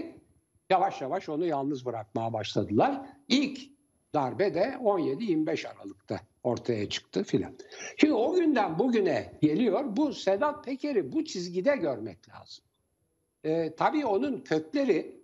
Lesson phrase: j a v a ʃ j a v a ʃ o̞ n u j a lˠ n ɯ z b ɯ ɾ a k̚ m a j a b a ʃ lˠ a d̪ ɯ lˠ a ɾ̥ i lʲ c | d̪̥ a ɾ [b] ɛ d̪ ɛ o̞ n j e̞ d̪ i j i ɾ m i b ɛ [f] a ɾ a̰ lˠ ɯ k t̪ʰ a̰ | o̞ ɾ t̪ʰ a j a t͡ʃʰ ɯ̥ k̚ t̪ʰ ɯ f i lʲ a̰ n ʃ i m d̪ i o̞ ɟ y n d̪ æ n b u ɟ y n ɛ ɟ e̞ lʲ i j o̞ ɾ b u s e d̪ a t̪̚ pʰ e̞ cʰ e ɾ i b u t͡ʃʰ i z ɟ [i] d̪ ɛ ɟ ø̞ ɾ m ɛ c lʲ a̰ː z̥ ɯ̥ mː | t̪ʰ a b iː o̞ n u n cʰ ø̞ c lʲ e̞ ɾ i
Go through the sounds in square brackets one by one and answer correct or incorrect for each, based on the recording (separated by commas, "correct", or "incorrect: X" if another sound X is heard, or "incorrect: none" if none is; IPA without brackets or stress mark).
correct, incorrect: ʃ, correct